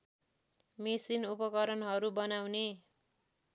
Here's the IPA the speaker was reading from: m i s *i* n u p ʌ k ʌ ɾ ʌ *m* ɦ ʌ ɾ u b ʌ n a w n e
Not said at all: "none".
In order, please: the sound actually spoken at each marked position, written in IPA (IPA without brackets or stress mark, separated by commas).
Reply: i, n